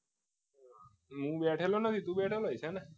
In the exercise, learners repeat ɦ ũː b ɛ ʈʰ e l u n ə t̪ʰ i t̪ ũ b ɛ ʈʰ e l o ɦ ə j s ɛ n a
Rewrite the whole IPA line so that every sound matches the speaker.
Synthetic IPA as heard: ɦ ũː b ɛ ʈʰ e l o n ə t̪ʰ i t̪ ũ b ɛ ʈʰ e l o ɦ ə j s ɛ n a

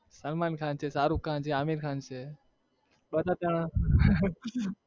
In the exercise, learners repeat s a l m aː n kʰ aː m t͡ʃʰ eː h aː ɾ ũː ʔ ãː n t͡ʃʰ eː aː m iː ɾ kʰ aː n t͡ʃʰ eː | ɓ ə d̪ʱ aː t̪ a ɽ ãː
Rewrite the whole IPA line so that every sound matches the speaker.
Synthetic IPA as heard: s ə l m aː n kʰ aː n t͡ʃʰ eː s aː ɾ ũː k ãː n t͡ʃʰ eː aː m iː ɾ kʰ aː n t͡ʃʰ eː | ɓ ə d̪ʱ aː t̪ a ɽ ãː

